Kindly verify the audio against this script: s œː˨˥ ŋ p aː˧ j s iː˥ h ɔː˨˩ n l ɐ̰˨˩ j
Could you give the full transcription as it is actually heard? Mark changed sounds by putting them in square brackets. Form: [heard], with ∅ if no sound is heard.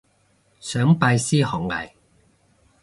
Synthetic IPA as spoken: s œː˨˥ ŋ p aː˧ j s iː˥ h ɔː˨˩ [ŋ] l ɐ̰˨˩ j